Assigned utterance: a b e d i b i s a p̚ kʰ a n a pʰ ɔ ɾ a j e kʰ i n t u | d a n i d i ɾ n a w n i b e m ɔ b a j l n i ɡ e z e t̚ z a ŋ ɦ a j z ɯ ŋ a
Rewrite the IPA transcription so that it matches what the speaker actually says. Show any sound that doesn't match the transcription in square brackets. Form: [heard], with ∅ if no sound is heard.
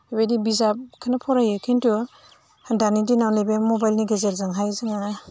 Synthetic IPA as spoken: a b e d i b i [z] a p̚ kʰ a n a pʰ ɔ ɾ a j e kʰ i n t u | d a n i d i [∅] n a w n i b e m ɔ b a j l n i ɡ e z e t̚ z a ŋ ɦ a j z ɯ ŋ a